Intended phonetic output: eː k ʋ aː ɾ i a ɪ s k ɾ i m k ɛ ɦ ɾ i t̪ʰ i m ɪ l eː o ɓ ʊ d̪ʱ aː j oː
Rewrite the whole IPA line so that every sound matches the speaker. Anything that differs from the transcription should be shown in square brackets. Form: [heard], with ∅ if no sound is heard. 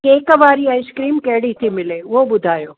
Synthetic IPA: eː k ʋ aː ɾ i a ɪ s k ɾ [iː] m k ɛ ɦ [ɽ] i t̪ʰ i m ɪ l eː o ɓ ʊ d̪ʱ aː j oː